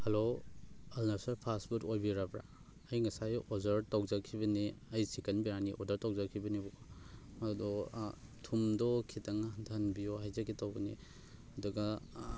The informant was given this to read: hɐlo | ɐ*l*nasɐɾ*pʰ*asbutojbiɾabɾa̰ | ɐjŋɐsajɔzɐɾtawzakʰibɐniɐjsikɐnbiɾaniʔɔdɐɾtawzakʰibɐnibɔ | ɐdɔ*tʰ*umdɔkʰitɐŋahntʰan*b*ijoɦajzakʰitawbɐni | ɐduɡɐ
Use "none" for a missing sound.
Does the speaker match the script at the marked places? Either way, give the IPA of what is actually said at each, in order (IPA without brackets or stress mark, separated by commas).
l, pʰ, tʰ, b